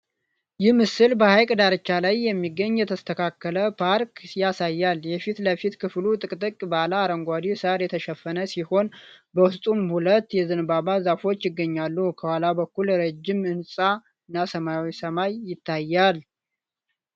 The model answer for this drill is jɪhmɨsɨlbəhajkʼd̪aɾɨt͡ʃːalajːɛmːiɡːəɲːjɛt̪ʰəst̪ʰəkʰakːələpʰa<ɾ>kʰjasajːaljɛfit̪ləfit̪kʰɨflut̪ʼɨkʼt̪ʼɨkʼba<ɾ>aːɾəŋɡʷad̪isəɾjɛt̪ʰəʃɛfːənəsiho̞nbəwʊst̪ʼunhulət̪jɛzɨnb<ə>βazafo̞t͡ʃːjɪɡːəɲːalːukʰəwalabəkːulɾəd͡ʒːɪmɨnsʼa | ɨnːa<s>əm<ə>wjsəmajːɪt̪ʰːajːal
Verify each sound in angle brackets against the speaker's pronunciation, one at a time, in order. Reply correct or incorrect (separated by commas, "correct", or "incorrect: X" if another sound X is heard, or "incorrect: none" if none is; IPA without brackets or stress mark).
correct, incorrect: l, incorrect: a, correct, incorrect: a